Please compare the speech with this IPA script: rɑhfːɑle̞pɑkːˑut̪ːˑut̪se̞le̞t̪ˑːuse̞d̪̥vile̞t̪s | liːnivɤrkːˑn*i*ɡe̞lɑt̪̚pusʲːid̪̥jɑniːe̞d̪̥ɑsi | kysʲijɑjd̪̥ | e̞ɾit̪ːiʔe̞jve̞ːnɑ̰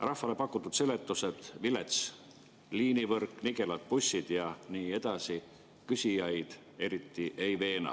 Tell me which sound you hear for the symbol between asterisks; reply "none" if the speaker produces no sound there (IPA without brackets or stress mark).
i